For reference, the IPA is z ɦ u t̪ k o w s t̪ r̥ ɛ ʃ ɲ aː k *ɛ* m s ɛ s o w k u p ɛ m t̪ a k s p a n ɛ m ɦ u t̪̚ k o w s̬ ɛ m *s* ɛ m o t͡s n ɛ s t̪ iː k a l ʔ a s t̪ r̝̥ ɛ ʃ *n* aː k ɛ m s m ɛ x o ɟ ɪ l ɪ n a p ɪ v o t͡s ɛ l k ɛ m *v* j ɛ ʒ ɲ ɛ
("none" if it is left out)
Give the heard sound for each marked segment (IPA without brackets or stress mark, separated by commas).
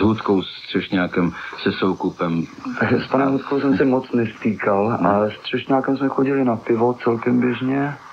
ɛ, s, ɲ, b